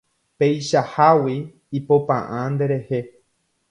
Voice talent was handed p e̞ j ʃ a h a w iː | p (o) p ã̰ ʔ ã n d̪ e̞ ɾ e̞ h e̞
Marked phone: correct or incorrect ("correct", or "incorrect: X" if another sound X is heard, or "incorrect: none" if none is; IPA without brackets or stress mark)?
correct